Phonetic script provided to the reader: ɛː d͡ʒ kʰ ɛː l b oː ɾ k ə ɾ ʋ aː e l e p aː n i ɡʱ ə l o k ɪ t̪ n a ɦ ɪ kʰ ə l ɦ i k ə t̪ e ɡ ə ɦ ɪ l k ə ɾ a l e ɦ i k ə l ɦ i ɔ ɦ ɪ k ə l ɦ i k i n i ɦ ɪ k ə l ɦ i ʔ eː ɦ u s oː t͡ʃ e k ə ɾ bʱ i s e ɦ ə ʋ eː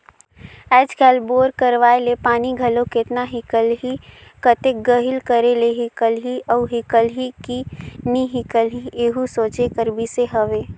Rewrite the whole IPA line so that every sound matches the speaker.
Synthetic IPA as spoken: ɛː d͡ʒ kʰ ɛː l b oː ɾ k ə ɾ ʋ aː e l e p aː n i ɡʱ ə l o k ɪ t̪ n a ɦ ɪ k ə l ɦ i k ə t̪ e ɡ ə ɦ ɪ l k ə ɾ e l e ɦ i k ə l ɦ i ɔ ɦ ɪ k ə l ɦ i k i n i ɦ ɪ k ə l ɦ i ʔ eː ɦ u s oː t͡ʃ e k ə ɾ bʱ i s e ɦ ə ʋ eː